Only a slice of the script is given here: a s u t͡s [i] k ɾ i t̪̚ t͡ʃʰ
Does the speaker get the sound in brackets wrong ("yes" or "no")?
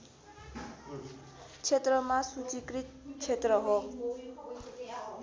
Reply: no